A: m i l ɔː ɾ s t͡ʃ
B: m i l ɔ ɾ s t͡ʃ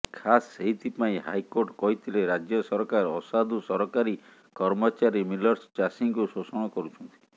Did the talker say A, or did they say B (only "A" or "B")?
B